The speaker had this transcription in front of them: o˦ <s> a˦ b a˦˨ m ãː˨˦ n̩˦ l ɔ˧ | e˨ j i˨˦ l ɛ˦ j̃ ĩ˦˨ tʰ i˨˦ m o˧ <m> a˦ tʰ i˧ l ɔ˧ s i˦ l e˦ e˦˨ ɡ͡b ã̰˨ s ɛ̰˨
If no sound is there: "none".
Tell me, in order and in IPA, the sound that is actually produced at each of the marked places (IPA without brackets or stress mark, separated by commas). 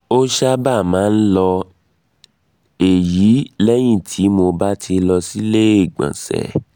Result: ʃ, b